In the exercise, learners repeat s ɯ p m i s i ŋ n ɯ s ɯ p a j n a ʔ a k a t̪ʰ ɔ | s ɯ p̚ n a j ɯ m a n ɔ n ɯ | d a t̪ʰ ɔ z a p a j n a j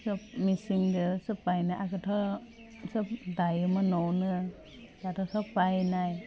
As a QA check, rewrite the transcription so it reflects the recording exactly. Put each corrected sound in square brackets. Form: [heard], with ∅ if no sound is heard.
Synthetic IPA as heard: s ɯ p m i s i ŋ [d] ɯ s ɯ p a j n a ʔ a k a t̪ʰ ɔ | s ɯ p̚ [d] a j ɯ m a n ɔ n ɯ | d a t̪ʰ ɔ [s] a p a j n a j